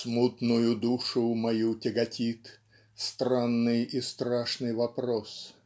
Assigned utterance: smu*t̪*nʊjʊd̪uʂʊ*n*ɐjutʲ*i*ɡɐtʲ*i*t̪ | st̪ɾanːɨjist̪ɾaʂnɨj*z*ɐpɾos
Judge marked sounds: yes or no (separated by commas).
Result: yes, no, no, yes, no